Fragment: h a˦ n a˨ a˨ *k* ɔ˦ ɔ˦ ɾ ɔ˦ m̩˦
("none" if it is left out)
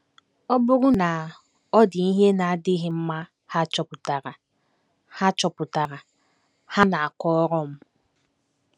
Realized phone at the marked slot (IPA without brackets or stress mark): k